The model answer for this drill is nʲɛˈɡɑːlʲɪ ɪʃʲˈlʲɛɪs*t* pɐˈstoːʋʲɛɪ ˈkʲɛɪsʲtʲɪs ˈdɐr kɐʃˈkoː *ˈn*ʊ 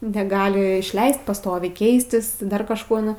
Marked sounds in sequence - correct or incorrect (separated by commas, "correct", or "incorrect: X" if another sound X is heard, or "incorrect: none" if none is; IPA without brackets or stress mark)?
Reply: correct, correct